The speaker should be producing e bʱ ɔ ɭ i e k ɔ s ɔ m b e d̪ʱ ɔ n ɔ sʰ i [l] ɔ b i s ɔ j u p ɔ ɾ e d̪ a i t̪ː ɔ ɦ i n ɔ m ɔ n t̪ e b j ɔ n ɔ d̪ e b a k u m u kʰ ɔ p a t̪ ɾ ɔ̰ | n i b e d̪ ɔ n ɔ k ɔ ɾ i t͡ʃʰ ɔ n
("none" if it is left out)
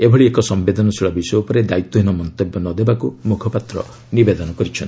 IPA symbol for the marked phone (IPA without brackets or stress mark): ɭ